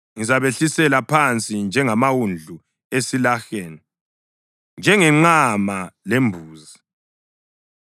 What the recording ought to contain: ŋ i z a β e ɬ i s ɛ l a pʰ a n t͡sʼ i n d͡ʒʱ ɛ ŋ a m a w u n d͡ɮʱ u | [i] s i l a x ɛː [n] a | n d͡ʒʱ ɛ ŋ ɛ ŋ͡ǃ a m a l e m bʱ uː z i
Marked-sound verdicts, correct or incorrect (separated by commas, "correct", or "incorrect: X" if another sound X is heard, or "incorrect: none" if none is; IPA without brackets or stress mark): incorrect: e, correct